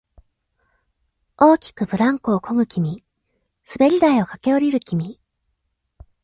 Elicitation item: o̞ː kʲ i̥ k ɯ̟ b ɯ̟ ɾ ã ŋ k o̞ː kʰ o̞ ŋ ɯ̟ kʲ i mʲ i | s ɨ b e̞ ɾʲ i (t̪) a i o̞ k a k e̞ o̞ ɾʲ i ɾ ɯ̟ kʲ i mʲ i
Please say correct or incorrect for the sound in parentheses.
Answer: incorrect: d̪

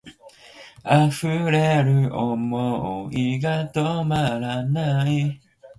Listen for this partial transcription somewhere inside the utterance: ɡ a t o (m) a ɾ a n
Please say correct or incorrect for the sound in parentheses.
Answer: correct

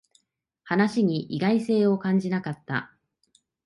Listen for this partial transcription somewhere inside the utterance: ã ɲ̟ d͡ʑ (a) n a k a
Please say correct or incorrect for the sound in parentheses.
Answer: incorrect: i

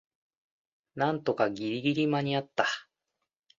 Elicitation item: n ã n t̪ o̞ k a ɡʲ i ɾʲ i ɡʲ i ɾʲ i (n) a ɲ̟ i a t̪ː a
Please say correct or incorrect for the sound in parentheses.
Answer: incorrect: m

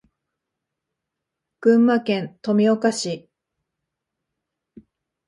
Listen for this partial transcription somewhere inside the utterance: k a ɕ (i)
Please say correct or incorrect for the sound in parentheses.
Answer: correct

